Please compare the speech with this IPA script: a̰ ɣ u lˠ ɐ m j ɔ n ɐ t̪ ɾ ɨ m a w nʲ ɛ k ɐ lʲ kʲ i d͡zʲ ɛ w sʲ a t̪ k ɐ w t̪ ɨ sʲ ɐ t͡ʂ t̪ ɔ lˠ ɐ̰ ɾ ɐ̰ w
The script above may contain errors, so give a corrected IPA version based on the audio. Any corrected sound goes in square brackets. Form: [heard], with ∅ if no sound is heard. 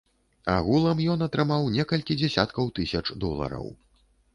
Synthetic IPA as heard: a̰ ɣ u lˠ ɐ m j ɔ n ɐ t̪ ɾ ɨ m a w nʲ ɛ k ɐ lʲ kʲ i d͡zʲ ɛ [∅] sʲ a t̪ k ɐ w t̪ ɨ sʲ ɐ t͡ʂ [d̪] ɔ lˠ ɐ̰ ɾ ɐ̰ w